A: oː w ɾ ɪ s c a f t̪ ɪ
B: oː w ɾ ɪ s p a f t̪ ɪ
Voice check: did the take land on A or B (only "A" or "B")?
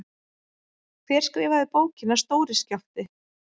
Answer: A